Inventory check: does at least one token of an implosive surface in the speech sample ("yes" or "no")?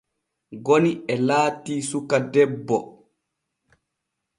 no